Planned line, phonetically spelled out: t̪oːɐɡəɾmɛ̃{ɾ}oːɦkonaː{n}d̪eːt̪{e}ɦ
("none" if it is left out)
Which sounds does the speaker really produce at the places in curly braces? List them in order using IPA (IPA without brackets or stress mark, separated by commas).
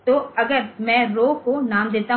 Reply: ɾ, m, a